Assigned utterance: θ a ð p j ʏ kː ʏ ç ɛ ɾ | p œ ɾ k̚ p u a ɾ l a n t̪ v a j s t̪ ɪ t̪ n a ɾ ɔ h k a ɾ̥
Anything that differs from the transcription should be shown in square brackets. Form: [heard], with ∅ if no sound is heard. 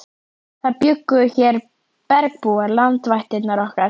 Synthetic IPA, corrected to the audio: θ a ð p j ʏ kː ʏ ç ɛ ɾ | p [ɛ] ɾ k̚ p u a ɾ l a n t̪ v a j [h] t̪ ɪ t̪ n a ɾ ɔ h k a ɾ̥